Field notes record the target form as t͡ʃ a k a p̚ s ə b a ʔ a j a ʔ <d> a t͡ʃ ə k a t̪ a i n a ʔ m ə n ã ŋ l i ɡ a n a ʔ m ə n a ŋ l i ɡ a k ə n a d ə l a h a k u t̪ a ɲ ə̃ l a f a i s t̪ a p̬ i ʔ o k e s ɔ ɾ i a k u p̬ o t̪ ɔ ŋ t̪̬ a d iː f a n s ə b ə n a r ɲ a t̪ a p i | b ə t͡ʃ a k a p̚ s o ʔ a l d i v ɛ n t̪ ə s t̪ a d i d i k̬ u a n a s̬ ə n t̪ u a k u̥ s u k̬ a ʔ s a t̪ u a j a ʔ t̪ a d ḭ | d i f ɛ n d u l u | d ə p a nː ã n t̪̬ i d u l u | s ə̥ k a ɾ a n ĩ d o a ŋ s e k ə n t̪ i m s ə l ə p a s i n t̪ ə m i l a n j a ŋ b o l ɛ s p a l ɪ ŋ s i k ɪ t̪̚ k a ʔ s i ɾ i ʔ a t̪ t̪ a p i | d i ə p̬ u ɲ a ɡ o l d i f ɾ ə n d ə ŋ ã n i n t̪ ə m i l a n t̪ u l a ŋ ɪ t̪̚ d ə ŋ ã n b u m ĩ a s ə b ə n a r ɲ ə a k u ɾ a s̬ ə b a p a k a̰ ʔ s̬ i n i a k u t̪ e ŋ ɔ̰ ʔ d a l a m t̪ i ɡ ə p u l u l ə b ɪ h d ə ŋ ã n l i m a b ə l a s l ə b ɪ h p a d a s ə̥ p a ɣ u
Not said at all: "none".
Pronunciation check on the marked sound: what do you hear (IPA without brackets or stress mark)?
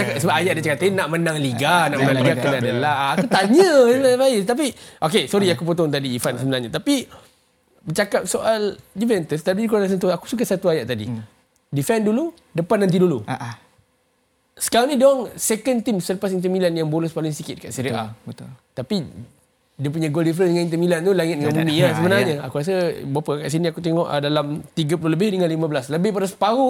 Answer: d